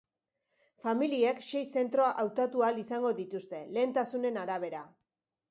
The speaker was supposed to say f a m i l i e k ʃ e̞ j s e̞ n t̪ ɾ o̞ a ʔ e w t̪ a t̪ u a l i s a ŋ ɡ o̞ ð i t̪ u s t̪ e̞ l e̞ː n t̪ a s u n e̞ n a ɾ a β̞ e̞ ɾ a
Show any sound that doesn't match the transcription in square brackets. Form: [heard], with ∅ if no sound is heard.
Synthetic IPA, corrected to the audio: f a m i l i e k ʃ e̞ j s e̞ n t̪ ɾ o̞ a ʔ [a] w t̪ a t̪ u a l i s a ŋ ɡ o̞ ð i t̪ u s t̪ e̞ l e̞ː n t̪ a s u n e̞ n a ɾ a β̞ e̞ ɾ a